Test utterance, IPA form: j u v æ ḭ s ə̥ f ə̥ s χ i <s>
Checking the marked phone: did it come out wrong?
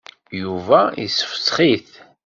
yes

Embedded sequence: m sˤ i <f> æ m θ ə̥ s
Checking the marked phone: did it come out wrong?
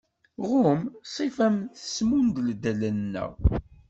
no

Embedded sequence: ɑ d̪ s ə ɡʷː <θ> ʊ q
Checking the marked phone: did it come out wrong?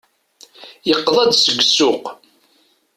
yes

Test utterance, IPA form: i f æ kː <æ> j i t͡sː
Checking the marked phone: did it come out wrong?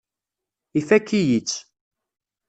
yes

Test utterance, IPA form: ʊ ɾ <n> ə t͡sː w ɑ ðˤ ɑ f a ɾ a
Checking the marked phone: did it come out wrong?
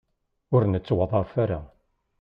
no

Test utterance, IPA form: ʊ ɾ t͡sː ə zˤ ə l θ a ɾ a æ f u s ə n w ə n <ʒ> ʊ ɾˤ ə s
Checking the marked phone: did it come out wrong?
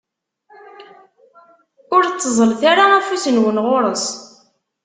yes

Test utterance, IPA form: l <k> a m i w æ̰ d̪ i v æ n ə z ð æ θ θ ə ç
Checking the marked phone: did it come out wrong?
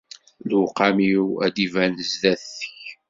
yes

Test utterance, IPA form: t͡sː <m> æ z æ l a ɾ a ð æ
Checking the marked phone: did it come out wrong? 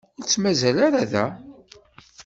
no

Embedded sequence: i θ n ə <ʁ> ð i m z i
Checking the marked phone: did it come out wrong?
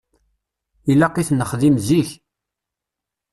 yes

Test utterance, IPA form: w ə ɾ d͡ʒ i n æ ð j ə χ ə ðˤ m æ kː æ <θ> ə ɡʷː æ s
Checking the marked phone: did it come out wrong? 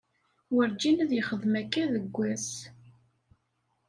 yes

